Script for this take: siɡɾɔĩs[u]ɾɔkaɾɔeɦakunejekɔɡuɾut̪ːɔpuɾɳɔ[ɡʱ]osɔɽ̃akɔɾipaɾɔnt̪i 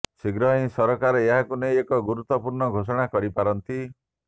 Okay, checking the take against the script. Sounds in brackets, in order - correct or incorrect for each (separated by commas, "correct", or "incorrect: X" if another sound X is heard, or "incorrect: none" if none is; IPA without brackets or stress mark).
incorrect: ɔ, correct